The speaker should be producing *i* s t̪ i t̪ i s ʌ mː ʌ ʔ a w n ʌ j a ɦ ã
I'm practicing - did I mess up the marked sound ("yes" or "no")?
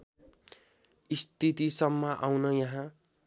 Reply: no